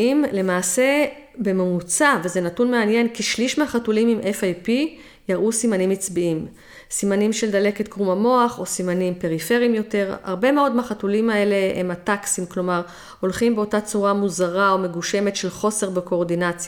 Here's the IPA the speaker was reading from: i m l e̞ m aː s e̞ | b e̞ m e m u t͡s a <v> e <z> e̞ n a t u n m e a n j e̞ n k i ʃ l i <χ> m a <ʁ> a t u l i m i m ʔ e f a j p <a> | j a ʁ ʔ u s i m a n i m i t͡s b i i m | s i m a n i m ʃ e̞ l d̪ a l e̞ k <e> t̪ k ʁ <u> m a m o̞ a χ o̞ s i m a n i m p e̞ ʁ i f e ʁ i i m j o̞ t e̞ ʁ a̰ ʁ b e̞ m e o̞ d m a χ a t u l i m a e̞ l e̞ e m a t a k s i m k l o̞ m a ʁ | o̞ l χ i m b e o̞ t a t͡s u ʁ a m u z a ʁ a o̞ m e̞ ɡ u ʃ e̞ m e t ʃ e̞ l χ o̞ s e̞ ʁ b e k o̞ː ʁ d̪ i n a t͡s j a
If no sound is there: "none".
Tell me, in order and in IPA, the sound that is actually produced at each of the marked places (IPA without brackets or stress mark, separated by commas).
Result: v, z, ʃ, χ, i, e, u